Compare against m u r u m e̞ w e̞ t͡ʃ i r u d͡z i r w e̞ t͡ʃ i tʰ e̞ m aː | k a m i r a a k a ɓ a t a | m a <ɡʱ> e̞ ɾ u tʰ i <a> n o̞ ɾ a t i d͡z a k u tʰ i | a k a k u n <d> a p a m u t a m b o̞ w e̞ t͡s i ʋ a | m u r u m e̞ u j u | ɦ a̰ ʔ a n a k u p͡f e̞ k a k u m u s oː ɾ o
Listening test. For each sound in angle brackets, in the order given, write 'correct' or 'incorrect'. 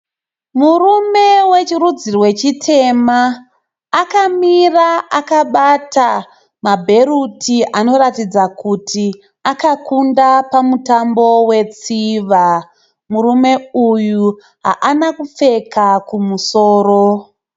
incorrect, correct, correct

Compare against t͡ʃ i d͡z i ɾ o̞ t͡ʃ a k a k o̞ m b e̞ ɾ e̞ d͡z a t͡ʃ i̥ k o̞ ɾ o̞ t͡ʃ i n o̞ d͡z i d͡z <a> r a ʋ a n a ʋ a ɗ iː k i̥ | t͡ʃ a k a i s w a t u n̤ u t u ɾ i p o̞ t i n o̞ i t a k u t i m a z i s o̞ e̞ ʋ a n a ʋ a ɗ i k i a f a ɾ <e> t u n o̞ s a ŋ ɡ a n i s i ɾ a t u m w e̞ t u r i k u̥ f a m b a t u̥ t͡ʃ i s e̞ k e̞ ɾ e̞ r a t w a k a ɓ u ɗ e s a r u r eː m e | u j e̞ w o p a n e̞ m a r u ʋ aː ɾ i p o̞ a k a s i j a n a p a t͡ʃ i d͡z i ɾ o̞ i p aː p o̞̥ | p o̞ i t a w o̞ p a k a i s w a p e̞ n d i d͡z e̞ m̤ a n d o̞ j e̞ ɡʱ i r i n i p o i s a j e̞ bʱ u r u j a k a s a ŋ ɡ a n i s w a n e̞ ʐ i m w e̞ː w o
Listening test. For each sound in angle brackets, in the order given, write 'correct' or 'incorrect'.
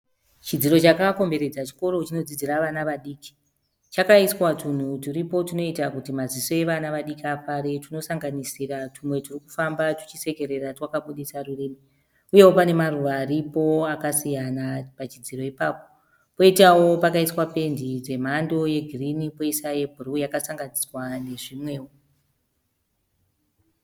incorrect, correct

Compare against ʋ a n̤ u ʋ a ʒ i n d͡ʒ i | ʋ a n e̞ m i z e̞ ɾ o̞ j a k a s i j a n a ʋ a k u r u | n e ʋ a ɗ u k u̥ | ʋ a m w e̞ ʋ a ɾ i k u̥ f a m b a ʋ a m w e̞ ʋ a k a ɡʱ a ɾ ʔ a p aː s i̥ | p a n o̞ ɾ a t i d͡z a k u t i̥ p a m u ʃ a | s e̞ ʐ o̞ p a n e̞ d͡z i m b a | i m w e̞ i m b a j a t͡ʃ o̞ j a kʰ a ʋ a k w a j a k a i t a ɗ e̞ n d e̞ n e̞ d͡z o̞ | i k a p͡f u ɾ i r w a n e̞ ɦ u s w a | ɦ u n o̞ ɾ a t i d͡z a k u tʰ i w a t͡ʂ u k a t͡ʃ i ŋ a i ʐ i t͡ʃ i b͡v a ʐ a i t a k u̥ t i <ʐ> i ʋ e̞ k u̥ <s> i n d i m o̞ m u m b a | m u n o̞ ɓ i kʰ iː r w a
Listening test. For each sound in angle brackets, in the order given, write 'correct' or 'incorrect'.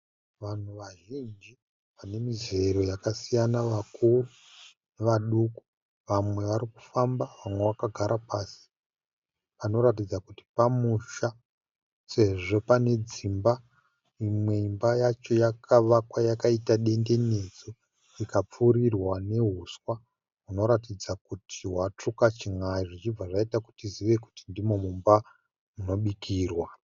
incorrect, incorrect

